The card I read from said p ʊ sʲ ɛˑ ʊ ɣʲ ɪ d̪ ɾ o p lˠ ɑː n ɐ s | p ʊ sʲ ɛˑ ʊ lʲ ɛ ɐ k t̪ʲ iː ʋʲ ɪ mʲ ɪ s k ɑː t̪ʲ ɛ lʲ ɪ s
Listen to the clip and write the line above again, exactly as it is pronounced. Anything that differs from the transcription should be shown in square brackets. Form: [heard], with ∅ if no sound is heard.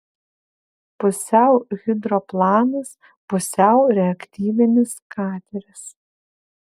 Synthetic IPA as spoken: p ʊ sʲ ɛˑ ʊ ɣʲ ɪ d̪ ɾ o p lˠ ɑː n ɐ s | p ʊ sʲ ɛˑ ʊ [ɾʲ] ɛ ɐ k t̪ʲ iː ʋʲ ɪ [nʲ] ɪ s k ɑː t̪ʲ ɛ [ɾʲ] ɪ s